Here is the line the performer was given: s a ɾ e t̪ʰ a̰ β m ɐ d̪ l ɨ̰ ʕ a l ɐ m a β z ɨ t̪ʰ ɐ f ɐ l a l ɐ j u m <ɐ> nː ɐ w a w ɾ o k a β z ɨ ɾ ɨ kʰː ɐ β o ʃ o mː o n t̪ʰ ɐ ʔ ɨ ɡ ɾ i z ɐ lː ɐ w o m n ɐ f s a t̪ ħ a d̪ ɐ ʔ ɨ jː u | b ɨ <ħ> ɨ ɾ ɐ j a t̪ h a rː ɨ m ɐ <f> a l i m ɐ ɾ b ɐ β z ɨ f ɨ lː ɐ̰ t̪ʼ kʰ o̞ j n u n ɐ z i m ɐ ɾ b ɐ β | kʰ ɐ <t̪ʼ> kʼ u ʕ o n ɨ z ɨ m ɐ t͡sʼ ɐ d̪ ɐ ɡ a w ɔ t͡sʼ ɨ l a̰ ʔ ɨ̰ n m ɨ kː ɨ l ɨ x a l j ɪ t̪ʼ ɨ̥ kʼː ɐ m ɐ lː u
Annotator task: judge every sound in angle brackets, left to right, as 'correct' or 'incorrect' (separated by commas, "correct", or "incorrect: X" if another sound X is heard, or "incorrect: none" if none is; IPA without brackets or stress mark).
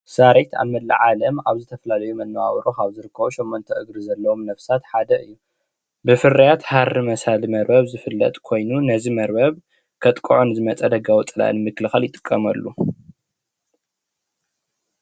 correct, incorrect: f, incorrect: s, correct